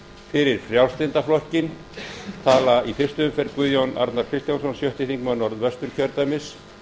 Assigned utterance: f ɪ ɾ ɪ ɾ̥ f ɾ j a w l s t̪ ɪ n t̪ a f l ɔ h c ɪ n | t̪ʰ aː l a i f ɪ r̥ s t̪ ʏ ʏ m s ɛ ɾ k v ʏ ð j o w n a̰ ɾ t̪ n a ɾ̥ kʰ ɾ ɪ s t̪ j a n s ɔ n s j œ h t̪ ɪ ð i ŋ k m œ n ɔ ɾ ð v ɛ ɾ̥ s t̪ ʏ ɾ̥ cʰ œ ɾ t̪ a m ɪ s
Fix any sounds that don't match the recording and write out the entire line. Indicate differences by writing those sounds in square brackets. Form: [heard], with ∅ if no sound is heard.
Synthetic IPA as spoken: f ɪ ɾ ɪ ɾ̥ f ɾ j a w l s t̪ ɪ n t̪ a f l ɔ h c ɪ n | t̪ʰ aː l a i f ɪ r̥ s t̪ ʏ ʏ m [f] ɛ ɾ k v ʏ ð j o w n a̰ ɾ t̪ n a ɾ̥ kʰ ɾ ɪ s t̪ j a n s ɔ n s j œ h t̪ ɪ [θ] i ŋ k m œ n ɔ ɾ ð v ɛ [∅] s t̪ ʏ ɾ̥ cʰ œ ɾ t̪ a m ɪ s